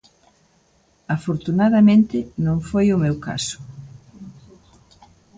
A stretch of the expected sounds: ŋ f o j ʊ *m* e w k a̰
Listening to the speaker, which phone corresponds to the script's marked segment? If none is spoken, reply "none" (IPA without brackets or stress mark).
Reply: m